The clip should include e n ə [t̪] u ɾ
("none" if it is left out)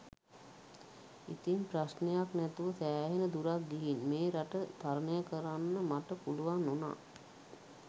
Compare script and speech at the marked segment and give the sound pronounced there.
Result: d̪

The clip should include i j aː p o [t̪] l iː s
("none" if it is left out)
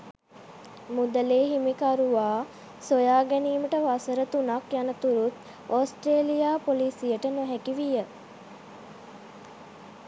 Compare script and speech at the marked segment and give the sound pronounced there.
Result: none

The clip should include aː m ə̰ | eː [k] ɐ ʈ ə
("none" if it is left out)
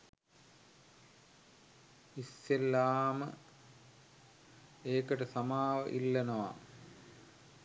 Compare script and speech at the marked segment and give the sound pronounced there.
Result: k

